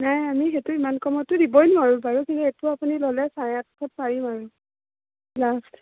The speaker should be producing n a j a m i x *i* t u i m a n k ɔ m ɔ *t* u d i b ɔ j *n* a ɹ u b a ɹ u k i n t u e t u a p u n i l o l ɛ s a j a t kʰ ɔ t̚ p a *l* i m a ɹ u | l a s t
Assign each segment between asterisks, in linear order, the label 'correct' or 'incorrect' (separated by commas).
incorrect, correct, correct, incorrect